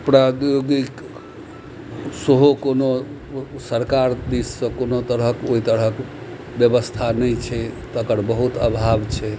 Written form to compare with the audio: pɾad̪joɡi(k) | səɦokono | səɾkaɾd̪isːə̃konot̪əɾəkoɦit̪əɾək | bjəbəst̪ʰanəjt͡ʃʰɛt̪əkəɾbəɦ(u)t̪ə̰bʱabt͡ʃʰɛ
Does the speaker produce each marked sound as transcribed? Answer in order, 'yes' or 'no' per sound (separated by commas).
yes, yes